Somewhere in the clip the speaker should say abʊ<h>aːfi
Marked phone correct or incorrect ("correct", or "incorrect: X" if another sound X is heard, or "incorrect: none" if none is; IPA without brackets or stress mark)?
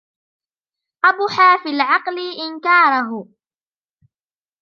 incorrect: ħ